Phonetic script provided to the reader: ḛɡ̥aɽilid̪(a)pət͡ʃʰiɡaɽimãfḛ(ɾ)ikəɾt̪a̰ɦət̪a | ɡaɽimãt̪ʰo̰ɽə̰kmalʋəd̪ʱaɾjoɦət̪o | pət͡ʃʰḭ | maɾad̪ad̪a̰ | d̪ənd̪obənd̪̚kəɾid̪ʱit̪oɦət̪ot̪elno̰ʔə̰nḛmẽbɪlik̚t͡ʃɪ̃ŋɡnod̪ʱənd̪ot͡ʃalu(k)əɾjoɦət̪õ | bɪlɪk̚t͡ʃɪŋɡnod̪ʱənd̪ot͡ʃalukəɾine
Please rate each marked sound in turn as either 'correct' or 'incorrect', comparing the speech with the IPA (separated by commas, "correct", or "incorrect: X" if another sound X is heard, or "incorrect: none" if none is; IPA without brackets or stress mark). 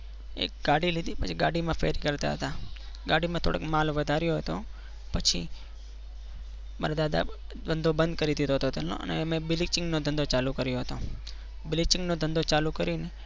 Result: incorrect: i, correct, correct